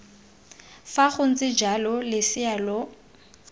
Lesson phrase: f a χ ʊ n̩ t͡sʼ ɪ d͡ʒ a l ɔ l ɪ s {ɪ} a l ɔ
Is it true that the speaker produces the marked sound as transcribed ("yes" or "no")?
yes